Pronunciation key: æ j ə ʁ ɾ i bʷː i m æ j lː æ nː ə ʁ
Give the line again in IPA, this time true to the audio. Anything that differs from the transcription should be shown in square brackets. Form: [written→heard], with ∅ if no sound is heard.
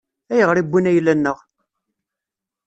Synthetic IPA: æ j ə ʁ ɾ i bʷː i [m→n] æ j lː æ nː ə ʁ